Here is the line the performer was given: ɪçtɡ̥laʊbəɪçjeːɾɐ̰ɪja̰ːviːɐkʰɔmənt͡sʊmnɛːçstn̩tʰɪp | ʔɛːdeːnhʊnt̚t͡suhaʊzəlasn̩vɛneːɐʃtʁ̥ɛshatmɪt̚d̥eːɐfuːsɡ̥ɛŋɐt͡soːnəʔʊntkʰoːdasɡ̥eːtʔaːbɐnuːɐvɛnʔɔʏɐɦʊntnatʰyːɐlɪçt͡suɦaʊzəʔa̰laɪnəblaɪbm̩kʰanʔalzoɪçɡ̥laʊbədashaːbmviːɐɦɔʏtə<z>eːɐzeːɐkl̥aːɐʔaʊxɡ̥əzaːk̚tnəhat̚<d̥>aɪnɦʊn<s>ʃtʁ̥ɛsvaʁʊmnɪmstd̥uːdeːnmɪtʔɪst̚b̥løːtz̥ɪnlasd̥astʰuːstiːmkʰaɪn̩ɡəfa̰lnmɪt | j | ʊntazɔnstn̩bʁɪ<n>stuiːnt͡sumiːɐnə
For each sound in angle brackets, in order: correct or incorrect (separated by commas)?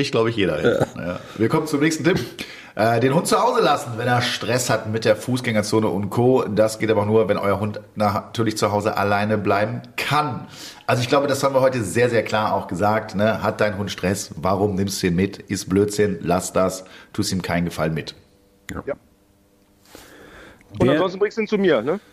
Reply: correct, correct, incorrect, incorrect